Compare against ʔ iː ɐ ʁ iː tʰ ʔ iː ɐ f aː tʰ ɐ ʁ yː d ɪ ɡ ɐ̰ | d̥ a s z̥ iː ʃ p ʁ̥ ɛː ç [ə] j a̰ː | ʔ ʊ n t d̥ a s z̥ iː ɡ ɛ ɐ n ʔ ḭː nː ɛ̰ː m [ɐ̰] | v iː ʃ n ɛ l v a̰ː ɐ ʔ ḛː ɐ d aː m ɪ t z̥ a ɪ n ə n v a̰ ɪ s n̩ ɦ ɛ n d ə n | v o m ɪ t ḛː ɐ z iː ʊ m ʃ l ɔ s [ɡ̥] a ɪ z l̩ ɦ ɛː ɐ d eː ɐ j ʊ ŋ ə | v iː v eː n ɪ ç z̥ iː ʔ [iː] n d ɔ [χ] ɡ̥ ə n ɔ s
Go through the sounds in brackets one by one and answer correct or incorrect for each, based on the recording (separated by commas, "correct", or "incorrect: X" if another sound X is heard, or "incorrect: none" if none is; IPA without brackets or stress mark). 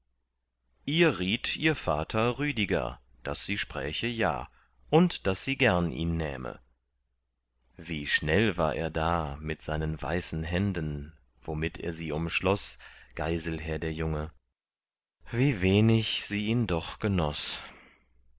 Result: correct, incorrect: ə̰, correct, correct, correct